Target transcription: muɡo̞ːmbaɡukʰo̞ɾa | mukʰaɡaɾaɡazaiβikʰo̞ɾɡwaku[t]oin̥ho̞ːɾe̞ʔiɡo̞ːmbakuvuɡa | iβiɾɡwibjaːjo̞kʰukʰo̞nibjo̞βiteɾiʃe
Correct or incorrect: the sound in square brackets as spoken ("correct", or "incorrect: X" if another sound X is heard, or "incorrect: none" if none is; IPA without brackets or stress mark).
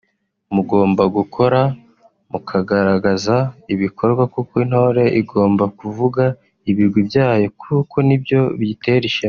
incorrect: k